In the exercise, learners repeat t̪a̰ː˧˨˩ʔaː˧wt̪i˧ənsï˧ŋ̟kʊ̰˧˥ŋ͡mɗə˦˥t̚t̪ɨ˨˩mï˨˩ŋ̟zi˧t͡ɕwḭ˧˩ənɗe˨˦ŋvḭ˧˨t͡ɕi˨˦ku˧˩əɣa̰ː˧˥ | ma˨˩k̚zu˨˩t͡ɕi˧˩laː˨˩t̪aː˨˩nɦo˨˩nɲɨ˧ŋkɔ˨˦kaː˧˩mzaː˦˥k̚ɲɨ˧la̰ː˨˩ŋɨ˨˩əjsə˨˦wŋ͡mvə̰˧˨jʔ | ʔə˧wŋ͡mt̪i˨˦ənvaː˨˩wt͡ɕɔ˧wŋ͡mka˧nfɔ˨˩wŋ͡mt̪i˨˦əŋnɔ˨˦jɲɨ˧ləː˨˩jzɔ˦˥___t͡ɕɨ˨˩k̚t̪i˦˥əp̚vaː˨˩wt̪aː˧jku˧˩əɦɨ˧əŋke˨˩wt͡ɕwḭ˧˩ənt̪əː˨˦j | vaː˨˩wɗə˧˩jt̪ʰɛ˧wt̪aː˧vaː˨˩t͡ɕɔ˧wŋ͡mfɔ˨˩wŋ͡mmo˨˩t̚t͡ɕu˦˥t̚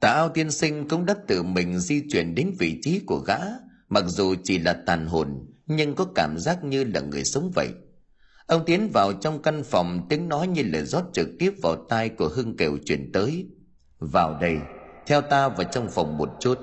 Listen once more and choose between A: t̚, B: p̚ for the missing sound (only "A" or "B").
A